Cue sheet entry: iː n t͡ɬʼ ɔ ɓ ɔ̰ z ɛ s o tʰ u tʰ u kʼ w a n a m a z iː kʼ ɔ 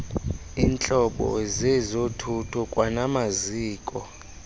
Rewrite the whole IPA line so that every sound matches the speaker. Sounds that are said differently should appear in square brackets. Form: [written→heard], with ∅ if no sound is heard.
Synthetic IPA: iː n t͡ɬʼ ɔ ɓ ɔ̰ z ɛ [s→z] o tʰ u tʰ u kʼ w a n a m a z iː kʼ ɔ

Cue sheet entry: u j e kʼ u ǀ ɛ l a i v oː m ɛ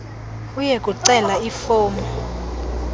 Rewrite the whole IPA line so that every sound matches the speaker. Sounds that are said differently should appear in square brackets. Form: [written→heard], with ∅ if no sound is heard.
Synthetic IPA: u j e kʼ u ǀ ɛ l a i [v→f] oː m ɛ

